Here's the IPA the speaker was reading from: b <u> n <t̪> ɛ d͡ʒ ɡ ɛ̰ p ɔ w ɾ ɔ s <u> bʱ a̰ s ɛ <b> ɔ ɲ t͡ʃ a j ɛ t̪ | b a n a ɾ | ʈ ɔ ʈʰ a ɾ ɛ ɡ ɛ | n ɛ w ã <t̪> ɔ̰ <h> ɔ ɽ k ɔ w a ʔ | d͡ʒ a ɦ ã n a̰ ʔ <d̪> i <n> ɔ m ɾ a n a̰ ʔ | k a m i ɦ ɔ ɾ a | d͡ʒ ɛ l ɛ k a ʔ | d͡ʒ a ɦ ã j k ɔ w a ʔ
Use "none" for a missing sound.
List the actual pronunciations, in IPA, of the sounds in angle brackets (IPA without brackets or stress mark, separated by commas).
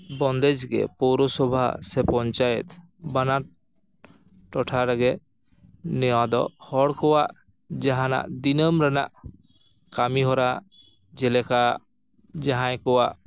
ɔ, d̪, ɔ, p, d̪, h, d̪, n